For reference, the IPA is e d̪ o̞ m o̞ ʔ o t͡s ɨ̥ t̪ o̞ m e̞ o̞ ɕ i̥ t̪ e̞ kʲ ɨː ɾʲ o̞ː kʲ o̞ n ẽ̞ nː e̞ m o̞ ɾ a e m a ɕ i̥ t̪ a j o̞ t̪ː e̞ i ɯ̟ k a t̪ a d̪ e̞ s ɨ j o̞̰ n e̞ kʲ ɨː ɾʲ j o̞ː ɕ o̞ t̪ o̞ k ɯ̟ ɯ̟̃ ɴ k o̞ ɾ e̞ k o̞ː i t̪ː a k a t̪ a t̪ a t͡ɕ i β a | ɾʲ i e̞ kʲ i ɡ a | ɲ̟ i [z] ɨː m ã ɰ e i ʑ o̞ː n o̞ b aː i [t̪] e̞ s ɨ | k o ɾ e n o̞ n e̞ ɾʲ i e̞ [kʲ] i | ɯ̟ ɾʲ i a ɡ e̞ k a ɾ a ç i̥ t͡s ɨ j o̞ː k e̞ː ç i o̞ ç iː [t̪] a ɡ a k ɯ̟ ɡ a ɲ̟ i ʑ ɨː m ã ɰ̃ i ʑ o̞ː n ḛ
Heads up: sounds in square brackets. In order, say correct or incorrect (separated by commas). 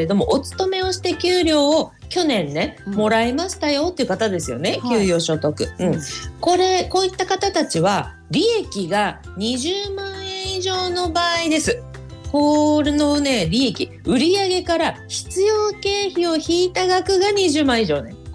incorrect, incorrect, correct, correct